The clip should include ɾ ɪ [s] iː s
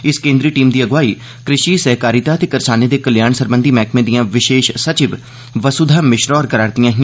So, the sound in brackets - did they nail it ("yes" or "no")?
no